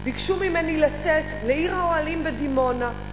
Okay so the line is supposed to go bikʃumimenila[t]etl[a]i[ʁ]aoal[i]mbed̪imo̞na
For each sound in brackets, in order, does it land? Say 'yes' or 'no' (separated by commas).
no, no, yes, yes